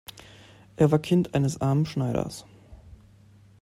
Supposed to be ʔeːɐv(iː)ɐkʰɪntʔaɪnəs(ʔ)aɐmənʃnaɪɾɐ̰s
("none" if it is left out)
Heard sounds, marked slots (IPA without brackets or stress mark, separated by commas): aː, ʔ